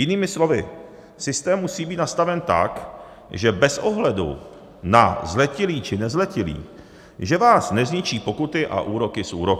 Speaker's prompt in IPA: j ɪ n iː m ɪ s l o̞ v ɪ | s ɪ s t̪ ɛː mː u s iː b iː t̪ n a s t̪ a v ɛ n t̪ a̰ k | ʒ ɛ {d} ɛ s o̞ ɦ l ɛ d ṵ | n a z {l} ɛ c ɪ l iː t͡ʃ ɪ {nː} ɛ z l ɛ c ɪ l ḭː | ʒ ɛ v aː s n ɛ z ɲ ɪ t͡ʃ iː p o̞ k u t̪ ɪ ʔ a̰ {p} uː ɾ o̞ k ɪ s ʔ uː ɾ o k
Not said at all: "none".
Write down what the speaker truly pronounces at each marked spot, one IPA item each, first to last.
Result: b, l, n, ʔ

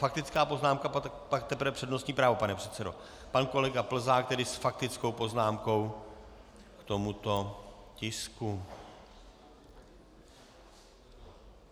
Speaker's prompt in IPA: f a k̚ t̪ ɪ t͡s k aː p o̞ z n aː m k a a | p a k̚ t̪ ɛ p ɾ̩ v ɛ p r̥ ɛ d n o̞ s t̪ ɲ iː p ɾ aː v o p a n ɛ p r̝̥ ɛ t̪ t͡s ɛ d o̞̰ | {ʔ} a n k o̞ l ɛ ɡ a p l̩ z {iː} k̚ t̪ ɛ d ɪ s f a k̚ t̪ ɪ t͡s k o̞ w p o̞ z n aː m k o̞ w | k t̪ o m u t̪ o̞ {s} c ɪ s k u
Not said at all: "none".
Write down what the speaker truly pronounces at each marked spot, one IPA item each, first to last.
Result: p, aː, none

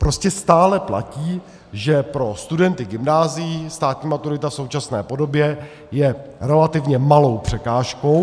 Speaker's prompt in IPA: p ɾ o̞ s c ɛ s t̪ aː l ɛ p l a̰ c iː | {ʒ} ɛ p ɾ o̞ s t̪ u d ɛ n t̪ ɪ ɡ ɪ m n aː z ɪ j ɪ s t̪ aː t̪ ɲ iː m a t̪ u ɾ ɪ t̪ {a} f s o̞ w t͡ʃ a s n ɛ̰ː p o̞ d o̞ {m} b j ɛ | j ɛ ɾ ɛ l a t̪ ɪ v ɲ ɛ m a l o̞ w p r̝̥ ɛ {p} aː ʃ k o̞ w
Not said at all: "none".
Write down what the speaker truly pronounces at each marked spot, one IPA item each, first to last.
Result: ʒ, a, none, k

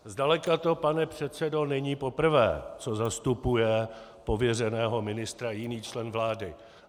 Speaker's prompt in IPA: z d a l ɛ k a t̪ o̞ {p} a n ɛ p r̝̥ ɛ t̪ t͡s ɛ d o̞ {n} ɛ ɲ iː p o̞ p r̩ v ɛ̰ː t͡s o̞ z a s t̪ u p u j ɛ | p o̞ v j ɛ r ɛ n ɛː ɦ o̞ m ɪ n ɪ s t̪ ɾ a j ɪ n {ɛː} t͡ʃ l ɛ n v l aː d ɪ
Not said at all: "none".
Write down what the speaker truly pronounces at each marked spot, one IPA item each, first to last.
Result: p, n, iː

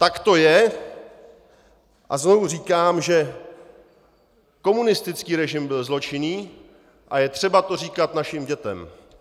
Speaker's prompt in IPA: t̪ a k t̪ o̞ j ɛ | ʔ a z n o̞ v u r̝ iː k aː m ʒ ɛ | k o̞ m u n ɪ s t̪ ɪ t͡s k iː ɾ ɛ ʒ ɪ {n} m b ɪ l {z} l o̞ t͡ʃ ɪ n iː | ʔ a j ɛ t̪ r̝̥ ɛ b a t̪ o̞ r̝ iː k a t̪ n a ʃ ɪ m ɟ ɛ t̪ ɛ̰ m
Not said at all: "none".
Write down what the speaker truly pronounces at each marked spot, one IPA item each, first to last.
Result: none, z

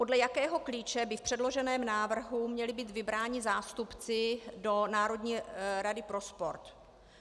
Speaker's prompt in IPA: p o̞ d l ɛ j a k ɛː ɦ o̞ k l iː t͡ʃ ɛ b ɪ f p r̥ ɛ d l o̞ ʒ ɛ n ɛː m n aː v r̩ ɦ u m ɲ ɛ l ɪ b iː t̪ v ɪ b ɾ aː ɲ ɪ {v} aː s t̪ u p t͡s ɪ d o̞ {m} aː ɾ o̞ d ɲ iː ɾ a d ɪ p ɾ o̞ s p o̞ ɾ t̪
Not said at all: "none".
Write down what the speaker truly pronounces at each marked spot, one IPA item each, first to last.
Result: z, n

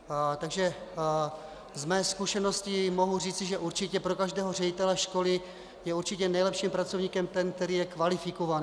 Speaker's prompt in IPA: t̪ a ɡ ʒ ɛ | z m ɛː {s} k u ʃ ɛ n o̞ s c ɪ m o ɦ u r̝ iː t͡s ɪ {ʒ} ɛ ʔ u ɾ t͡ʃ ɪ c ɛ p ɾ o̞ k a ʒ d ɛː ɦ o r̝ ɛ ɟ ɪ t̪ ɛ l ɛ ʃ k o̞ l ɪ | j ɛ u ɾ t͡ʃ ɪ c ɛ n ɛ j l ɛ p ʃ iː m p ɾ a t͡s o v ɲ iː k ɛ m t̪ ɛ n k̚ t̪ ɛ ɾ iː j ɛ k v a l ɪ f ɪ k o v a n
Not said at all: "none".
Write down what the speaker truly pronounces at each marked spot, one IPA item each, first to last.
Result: s, ʒ

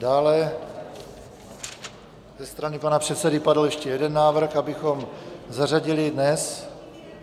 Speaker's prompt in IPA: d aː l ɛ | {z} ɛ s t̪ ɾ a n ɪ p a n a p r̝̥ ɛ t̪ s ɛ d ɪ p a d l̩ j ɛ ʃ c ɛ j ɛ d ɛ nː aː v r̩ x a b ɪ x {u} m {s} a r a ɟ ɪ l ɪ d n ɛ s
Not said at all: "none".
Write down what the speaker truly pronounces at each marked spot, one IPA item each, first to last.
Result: z, o, z

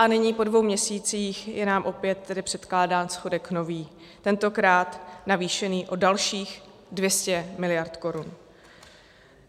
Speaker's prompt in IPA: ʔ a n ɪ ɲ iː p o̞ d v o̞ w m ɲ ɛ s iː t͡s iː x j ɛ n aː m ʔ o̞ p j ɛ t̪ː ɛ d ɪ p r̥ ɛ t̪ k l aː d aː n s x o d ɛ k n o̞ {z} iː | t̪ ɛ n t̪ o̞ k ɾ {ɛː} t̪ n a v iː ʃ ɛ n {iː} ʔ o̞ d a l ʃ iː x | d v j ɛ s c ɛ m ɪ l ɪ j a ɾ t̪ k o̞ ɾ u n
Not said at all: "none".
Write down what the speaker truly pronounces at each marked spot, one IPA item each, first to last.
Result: v, aː, iː

